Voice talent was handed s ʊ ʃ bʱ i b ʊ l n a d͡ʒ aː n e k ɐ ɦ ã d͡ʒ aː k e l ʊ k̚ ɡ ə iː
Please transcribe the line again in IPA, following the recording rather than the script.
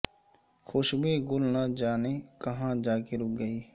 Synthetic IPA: x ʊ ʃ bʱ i ɡ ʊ l n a d͡ʒ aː n e k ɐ ɦ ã d͡ʒ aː k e ɾ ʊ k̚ ɡ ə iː